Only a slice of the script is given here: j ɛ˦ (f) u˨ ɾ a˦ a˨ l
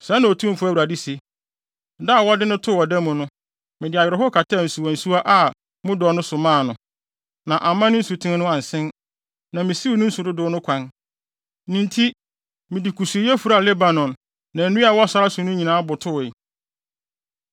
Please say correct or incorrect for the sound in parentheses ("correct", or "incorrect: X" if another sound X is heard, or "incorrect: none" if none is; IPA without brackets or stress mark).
correct